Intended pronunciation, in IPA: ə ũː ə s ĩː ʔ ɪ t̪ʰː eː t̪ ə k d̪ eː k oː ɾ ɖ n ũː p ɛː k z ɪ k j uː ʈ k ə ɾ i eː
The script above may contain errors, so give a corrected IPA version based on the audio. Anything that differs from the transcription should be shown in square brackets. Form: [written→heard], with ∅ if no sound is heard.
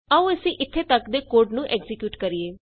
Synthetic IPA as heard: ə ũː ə s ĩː ʔ ɪ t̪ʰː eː t̪ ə k d̪ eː k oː ɾ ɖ n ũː [p→ʔ] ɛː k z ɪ k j uː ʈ k ə ɾ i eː